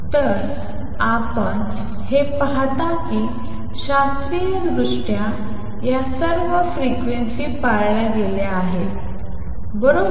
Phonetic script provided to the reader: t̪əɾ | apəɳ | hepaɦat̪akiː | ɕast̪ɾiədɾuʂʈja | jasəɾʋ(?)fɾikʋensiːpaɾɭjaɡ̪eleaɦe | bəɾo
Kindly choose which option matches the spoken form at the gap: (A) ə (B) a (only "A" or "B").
A